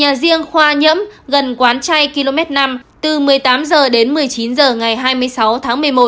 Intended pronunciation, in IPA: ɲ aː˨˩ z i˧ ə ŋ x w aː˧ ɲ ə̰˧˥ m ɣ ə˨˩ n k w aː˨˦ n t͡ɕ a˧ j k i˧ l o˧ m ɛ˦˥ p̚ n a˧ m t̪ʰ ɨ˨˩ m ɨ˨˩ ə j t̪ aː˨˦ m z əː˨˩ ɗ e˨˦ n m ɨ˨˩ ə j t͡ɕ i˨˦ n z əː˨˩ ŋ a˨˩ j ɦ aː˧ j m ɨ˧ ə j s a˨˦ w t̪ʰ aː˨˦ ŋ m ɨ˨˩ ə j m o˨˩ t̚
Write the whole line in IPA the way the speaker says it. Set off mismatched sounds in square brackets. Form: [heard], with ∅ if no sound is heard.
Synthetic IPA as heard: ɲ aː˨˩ z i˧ ə ŋ x w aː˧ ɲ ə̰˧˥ m ɣ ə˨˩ n k w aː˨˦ n t͡ɕ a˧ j k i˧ l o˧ m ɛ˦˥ [t̚] n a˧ m [t̪] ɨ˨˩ m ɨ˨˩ ə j t̪ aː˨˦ m z əː˨˩ ɗ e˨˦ n m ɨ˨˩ ə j t͡ɕ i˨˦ n z əː˨˩ ŋ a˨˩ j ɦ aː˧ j m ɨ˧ ə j s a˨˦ w t̪ʰ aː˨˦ ŋ m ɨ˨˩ ə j m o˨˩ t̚